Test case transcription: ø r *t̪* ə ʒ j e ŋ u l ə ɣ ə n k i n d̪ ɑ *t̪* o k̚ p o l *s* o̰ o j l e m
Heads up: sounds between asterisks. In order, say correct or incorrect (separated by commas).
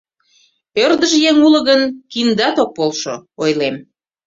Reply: incorrect, correct, incorrect